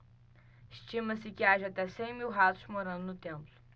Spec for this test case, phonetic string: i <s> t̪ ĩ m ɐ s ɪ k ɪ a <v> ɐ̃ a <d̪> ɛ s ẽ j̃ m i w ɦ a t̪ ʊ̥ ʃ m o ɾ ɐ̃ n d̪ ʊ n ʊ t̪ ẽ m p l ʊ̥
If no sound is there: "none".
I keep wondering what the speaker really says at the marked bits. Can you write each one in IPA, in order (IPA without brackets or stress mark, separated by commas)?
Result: ʃ, ʒ, t̪